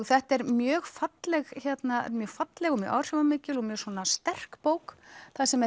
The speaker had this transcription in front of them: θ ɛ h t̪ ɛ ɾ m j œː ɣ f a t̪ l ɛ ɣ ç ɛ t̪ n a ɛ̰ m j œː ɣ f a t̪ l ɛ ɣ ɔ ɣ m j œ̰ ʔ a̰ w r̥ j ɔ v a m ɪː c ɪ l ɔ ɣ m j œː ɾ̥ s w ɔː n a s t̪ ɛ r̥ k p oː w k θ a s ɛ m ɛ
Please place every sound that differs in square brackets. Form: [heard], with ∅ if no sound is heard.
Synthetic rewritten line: θ ɛ h t̪ ɛ ɾ m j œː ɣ f a t̪ l ɛ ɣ ç ɛ t̪ n a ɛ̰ m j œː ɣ f a t̪ l ɛ ɣ ɔ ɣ m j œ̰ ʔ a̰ w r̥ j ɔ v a m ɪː c ɪ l ɔ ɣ m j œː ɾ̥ s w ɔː n a s t̪ ɛ r̥ k p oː w k θ a s ɛ m ɛ